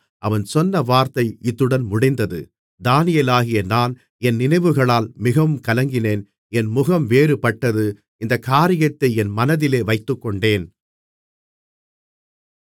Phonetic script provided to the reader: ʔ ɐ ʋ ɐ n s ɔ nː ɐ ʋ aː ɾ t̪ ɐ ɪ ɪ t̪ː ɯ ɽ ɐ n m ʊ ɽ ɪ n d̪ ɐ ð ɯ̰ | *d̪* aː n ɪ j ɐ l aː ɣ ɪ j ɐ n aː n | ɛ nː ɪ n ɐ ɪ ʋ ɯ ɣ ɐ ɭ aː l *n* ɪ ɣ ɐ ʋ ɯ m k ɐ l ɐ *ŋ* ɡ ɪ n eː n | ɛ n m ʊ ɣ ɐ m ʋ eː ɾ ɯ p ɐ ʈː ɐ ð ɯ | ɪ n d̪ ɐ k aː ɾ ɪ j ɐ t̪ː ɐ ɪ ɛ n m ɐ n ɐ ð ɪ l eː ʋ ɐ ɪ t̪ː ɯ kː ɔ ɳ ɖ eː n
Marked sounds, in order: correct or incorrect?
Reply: correct, incorrect, correct

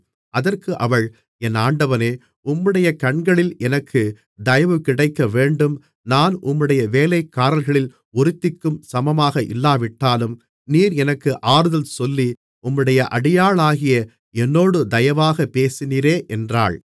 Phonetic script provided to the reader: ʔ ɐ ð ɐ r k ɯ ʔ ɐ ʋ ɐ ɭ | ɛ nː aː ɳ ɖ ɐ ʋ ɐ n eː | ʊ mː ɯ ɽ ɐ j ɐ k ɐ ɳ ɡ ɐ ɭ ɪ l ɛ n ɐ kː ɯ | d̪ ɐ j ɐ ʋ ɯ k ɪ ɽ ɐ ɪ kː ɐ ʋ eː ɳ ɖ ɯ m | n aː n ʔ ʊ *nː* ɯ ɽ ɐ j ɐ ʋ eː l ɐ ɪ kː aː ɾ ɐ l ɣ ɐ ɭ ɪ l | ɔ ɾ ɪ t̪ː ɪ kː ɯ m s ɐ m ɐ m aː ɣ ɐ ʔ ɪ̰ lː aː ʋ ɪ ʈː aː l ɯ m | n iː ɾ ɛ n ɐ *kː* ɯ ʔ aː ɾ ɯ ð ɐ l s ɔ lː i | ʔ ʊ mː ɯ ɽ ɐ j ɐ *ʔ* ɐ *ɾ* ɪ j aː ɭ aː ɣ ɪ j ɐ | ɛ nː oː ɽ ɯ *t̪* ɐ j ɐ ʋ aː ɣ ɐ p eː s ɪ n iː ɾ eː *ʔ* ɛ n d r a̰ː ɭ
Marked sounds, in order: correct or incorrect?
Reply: incorrect, correct, correct, incorrect, incorrect, correct

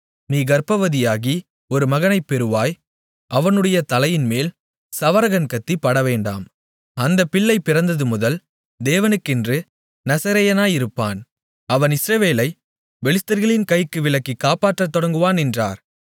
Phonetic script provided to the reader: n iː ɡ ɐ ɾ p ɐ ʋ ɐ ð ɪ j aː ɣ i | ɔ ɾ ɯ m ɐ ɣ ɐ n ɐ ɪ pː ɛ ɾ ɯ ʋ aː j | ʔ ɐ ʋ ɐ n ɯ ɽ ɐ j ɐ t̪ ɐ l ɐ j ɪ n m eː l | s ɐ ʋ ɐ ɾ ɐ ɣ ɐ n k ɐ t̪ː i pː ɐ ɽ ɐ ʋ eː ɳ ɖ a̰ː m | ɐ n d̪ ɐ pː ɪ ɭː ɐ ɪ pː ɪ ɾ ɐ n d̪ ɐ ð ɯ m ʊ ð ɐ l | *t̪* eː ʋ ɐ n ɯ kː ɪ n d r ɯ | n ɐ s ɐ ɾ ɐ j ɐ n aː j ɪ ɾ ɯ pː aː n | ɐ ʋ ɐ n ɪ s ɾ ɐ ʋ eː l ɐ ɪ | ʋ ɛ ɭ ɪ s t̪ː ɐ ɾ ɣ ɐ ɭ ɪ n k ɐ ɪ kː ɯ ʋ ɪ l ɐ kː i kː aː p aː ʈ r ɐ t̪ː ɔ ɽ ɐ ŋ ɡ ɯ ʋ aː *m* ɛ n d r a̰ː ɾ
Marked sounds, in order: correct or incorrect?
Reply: incorrect, incorrect

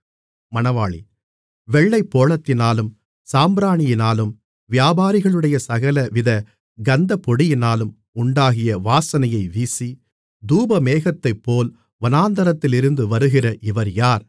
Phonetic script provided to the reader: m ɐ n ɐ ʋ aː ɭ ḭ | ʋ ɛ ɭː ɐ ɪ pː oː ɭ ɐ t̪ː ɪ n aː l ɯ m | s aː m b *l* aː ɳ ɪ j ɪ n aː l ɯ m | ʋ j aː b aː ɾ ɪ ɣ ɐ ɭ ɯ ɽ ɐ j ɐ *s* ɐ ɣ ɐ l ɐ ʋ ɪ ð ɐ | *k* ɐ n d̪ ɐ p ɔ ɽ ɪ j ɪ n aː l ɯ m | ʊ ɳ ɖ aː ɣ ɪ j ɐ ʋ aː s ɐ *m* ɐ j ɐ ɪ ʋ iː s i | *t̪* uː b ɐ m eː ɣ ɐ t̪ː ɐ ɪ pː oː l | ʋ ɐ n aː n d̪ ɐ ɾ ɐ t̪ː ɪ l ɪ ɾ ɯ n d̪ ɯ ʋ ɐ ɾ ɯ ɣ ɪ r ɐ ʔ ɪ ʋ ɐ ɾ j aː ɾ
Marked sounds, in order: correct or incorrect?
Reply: incorrect, correct, incorrect, incorrect, incorrect

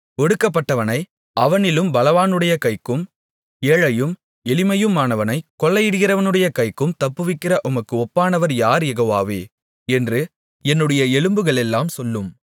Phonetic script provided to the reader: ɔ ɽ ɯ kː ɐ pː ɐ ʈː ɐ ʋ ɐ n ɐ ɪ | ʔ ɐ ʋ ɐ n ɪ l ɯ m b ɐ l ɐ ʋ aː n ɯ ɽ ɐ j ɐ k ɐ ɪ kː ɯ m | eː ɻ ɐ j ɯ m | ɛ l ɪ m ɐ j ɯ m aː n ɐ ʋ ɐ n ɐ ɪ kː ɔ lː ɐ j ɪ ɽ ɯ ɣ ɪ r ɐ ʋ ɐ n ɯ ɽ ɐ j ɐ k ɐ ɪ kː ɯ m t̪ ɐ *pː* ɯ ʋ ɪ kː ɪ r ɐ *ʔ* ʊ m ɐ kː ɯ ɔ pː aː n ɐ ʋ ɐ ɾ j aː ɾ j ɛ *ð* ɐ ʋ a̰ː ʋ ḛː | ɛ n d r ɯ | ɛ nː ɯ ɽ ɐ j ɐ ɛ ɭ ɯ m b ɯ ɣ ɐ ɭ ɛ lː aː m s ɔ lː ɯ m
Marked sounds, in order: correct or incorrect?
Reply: correct, correct, incorrect

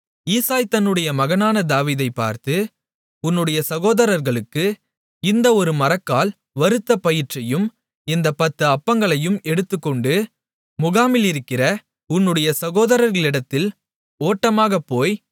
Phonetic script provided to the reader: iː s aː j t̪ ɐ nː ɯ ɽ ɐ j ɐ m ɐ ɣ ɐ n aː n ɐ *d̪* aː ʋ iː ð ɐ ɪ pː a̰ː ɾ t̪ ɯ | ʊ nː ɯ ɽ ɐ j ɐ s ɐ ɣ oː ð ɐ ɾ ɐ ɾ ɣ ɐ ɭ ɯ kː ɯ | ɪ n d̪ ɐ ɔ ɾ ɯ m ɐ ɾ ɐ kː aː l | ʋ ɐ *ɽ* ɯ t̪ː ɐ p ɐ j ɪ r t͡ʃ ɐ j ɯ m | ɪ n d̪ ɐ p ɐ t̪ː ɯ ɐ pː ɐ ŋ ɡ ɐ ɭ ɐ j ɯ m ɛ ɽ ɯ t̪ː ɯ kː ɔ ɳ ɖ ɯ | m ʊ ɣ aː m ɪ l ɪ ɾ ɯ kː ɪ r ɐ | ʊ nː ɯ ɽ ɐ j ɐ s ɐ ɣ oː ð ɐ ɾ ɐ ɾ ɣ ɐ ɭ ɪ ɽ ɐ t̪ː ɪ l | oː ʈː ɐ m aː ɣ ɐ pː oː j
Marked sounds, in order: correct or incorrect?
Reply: correct, incorrect

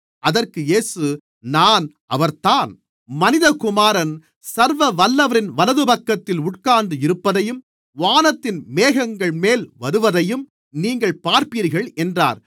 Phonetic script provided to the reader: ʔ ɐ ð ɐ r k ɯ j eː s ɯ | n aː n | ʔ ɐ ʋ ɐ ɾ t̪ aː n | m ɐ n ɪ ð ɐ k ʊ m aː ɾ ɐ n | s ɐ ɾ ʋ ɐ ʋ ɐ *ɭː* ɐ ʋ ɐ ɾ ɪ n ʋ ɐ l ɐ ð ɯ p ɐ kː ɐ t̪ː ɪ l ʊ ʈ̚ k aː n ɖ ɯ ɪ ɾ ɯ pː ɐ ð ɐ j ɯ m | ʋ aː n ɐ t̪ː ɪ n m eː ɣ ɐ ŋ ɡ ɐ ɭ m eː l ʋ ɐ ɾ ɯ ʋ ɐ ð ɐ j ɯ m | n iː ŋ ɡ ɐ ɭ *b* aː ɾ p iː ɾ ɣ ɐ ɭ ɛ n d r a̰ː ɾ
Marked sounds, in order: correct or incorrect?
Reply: incorrect, incorrect

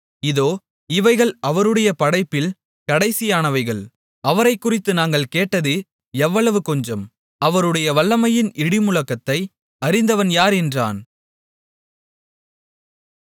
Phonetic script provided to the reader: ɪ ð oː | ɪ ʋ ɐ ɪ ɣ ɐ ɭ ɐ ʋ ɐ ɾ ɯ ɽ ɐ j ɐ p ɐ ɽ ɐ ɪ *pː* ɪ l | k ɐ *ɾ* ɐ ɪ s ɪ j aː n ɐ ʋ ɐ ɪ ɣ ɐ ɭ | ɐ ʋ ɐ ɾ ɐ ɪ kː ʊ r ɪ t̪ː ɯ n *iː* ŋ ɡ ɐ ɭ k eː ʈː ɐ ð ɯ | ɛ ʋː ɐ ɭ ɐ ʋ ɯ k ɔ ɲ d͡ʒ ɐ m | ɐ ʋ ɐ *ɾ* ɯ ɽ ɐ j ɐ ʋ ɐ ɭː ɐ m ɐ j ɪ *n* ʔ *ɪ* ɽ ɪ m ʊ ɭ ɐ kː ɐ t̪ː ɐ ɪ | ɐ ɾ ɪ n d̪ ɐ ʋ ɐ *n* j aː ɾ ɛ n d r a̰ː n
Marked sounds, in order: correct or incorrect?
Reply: correct, incorrect, incorrect, correct, correct, correct, correct

